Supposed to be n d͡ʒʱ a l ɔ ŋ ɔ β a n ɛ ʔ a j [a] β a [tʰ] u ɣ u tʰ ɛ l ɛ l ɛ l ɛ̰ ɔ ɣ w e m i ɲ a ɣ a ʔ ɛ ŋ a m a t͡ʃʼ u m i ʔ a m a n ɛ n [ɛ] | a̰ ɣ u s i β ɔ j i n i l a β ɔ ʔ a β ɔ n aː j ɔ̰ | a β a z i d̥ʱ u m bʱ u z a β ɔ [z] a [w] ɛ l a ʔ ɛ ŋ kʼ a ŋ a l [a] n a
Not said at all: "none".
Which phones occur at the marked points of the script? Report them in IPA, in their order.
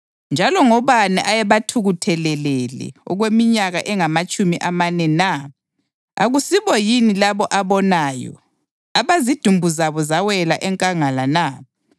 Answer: ɛ, tʰ, a, z, w, a

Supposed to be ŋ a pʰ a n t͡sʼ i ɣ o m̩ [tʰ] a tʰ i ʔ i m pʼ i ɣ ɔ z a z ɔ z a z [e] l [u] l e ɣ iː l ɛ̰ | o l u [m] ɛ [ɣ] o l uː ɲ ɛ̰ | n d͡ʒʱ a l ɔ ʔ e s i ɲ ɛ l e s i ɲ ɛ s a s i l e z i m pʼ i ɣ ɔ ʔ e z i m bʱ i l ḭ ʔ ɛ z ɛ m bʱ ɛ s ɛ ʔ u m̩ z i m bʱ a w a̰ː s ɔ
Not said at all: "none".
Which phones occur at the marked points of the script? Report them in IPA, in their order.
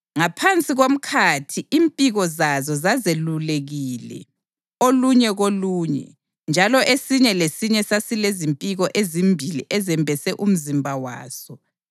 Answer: kʰ, e, u, ɲ, ɣ

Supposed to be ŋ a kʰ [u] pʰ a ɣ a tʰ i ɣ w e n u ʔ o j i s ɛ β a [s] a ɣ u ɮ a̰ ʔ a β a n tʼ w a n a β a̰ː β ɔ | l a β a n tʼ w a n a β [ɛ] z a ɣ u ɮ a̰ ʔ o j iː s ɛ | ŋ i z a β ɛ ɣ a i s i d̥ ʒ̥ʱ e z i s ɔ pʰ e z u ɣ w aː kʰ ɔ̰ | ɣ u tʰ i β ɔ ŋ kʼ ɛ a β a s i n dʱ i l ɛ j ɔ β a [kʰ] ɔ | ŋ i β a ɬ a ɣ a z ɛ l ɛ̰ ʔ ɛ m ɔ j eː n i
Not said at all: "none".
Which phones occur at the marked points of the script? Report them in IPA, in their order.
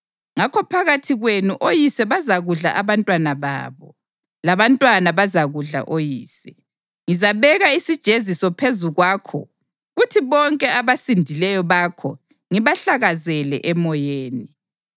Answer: ɔ, z, a, kʰ

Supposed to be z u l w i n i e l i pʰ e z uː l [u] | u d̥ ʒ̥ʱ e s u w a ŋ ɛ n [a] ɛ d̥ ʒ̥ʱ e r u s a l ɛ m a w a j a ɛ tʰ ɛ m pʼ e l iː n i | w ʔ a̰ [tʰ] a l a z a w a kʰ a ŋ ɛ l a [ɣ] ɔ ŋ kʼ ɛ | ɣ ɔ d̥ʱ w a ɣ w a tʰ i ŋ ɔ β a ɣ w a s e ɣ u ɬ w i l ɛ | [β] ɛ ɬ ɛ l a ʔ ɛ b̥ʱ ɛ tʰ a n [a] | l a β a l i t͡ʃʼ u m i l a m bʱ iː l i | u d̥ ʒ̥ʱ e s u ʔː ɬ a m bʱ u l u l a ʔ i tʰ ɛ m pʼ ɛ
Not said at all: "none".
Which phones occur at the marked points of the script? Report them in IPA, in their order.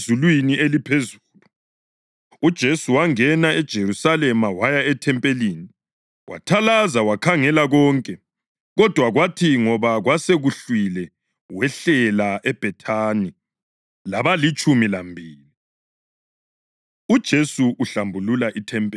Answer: u, a, tʰ, ɣ, w, i

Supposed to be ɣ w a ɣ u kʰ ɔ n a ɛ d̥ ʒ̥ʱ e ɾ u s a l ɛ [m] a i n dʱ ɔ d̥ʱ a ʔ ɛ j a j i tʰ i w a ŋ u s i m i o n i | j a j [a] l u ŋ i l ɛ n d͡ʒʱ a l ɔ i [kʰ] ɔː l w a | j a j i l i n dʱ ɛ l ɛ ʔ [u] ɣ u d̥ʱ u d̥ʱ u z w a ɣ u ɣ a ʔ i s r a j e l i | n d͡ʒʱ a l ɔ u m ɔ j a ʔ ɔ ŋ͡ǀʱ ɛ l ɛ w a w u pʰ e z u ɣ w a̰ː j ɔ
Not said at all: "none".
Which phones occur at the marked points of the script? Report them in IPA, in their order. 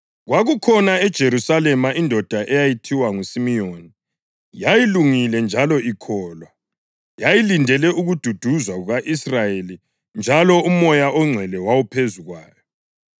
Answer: m, i, kʰ, u

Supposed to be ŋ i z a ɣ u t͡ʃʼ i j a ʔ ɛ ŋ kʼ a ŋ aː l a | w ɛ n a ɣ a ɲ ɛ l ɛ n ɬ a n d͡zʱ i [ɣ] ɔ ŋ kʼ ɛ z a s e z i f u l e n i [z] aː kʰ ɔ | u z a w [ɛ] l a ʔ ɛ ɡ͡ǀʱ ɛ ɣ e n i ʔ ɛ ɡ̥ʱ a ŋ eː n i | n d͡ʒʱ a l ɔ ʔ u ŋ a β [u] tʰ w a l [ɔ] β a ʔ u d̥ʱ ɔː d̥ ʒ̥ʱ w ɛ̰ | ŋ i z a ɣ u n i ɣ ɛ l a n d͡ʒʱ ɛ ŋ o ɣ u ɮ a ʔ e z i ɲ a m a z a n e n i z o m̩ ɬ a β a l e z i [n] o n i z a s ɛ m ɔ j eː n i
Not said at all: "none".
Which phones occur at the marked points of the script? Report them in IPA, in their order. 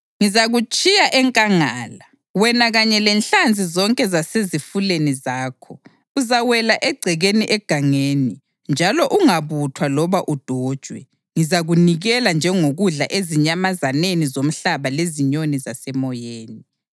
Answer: z, z, ɛ, u, ɔ, ɲ

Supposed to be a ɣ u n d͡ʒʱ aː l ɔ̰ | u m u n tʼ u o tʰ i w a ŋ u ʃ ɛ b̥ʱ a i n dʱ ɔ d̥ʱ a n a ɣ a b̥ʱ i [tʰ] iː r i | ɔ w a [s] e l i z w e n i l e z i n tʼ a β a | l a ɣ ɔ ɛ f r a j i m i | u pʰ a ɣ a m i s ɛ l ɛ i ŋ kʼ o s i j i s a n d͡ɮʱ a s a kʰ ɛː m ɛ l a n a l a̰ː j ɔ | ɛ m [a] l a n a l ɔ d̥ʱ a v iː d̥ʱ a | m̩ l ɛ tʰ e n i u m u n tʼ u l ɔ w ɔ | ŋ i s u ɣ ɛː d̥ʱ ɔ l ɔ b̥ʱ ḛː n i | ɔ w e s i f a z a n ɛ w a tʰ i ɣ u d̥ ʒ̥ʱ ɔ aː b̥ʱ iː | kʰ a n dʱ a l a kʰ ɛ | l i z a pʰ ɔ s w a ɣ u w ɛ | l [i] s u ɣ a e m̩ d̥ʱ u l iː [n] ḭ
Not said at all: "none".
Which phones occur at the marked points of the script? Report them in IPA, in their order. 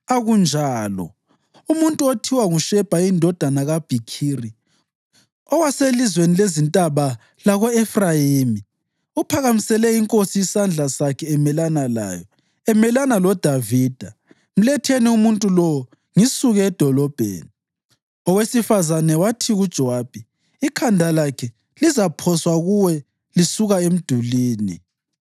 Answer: kʰ, s, ɛ, i, n

